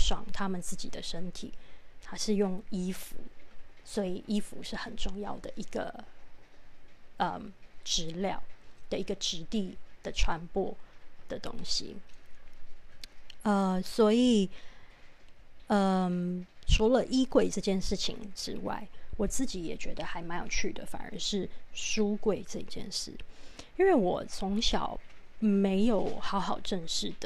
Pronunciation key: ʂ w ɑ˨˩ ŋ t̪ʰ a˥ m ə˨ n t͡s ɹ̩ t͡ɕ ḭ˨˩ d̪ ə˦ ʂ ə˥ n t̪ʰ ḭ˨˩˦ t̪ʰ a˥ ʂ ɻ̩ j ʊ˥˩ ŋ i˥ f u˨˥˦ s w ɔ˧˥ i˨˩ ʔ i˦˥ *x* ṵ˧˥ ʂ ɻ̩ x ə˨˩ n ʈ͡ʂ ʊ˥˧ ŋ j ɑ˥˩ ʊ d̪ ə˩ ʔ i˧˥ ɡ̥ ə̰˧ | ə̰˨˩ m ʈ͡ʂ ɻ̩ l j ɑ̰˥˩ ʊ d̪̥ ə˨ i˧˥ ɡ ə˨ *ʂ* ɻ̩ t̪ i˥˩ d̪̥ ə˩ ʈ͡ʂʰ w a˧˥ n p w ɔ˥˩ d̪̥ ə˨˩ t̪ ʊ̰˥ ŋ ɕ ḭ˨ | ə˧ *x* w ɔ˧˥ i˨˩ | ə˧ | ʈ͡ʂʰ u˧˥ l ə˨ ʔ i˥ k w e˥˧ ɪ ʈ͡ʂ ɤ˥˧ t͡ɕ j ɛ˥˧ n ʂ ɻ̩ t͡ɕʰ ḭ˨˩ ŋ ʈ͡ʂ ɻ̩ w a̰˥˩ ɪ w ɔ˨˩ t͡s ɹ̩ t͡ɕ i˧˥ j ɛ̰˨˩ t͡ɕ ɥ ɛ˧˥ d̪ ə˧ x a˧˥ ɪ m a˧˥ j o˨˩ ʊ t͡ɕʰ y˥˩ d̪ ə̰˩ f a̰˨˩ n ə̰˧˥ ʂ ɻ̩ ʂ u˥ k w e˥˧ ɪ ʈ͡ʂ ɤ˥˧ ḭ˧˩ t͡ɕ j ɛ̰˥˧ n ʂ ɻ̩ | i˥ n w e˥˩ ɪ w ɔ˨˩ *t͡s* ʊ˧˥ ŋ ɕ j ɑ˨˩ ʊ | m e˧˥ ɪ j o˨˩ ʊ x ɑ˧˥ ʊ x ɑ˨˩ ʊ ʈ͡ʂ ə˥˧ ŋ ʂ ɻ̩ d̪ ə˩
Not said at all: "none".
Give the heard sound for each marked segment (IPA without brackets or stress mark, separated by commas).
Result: f, ʈ͡ʂ, s, t͡sʰ